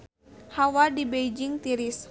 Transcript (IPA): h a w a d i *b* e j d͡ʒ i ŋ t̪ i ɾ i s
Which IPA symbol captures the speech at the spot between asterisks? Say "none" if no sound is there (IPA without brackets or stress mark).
b